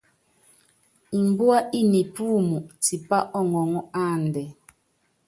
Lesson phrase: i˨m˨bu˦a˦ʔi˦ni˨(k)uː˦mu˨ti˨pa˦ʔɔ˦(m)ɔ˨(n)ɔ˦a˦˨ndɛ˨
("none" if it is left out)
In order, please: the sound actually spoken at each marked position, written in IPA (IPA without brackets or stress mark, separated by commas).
p, ŋ, ŋ